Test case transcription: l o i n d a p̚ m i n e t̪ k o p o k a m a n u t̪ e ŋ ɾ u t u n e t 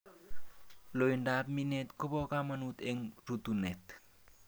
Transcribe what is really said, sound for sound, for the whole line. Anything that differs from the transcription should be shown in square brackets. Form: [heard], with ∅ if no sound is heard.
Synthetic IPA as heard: l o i n d a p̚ m i n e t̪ k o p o k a m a n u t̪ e ŋ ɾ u t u n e t